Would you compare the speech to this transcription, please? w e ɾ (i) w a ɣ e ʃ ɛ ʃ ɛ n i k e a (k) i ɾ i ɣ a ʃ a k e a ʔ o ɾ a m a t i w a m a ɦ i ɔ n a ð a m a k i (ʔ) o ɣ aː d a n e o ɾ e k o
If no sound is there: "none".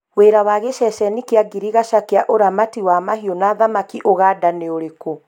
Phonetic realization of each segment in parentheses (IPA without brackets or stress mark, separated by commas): a, ɡ, ʔ